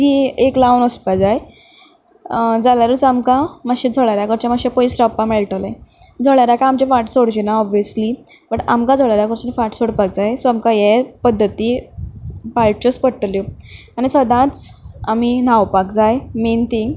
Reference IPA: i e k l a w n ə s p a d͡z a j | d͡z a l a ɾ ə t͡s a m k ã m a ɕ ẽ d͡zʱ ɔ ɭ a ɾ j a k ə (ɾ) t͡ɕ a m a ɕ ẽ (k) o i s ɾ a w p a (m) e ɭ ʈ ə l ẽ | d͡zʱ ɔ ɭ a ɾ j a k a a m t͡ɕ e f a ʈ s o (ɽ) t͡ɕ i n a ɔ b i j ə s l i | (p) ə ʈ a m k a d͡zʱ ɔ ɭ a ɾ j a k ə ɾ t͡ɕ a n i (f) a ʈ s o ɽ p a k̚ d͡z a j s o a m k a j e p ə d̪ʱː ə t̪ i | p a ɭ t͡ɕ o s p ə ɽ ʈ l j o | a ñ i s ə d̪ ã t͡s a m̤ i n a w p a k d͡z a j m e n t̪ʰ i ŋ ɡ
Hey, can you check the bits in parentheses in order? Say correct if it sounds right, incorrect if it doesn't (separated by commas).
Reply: correct, incorrect, correct, correct, incorrect, correct